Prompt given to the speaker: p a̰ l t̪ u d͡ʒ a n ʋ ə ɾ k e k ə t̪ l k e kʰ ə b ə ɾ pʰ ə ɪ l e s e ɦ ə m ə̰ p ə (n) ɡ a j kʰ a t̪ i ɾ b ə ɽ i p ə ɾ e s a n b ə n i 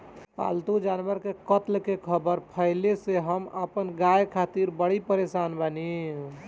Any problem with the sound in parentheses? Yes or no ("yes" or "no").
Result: no